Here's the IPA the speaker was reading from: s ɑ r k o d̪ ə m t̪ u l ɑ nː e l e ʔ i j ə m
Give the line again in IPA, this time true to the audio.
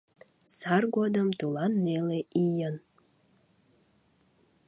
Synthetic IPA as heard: s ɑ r ɡ o d̪ ə m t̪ u l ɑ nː e l e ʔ i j ə n

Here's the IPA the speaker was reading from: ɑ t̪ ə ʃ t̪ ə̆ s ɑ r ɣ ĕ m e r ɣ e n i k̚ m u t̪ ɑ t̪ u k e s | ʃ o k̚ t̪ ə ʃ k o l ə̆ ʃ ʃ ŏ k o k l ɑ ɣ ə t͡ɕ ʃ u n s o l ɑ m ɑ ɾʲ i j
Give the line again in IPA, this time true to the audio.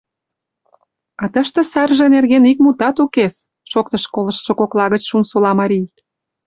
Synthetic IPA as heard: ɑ t̪ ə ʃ t̪ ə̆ s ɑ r ʒ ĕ n e r ɣ e n i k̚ m u t̪ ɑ t̪ u k e s | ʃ o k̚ t̪ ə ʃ k o l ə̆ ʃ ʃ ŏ k o k l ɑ ɣ ə t͡ɕ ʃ u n s o l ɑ m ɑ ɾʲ i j

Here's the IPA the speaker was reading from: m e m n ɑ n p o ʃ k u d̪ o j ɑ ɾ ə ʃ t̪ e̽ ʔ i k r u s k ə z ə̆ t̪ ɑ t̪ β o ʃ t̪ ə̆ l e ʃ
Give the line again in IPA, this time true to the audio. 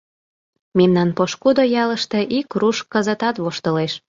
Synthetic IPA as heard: m e m n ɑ n p o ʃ k u d̪ o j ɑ l ə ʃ t̪ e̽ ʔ i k r u ʃ k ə z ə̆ t̪ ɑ t̪ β o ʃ t̪ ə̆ l e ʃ

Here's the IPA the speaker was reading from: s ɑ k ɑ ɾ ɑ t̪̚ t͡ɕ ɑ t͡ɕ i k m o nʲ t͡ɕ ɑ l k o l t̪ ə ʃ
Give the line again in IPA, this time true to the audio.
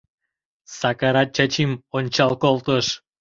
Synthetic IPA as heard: s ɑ k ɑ ɾ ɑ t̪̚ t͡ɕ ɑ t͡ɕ i m o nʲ t͡ɕ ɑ l k o l t̪ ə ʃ

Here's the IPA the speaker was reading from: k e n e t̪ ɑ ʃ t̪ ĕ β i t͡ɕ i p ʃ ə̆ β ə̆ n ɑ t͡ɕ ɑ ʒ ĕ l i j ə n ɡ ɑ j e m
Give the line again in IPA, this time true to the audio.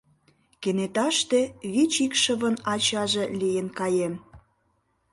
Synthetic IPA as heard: k e n e t̪ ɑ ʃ t̪ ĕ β i t͡ɕ i k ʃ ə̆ β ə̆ n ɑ t͡ɕ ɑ ʒ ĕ l i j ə n k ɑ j e m

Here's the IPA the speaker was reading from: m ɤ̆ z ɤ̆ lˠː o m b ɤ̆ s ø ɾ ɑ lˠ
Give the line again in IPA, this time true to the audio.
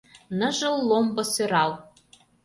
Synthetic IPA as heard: n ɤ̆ ʒ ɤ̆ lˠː o m b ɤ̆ s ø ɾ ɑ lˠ

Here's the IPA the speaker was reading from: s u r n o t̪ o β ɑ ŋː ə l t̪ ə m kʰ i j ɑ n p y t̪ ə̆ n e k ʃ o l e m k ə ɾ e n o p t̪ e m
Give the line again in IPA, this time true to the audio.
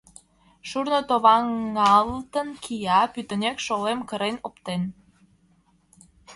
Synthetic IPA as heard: ʃ u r n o t̪ o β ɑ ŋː ɑ l t̪ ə n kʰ i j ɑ p y t̪ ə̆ n e k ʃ o l e m k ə ɾ e n o p t̪ e n

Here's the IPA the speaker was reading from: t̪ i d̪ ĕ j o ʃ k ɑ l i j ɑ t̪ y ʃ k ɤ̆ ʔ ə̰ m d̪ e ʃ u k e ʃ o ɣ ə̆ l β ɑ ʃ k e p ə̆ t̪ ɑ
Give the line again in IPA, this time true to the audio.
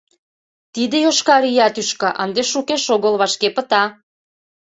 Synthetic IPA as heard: t̪ i d̪ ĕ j o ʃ k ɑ ɾ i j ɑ t̪ y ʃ k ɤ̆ ʔ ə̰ n d̪ e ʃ u k e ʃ o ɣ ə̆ l β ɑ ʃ k e p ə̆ t̪ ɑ

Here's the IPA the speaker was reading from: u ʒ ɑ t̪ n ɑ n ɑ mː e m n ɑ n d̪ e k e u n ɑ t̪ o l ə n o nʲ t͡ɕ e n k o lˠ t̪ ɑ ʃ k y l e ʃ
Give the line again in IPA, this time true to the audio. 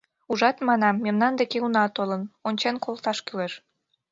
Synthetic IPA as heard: u ʒ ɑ t̪ m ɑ n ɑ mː e m n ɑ n d̪ e k e u n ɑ t̪ o l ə n o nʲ t͡ɕ e n k o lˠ t̪ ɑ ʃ k y l e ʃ

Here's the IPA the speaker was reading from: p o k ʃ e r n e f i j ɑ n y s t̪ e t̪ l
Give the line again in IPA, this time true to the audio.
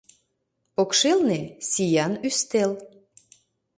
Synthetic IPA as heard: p o k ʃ e l n e s i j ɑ n y s t̪ e l

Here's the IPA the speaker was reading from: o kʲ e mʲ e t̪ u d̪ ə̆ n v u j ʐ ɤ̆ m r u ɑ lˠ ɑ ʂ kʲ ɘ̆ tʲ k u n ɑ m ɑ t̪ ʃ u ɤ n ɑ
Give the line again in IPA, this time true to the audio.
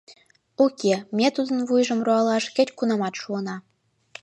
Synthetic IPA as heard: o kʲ e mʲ e t̪ u d̪ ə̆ n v u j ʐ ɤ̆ m r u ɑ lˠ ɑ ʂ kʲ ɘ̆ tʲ k u n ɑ m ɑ t̪ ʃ u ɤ n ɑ

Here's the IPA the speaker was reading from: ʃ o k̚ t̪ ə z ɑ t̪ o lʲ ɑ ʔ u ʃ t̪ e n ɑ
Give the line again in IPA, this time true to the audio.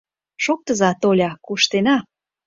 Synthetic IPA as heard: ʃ o k̚ t̪ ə z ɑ t̪ o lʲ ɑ k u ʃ t̪ e n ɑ

